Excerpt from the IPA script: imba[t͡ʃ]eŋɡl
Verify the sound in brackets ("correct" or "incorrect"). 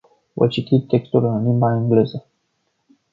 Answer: incorrect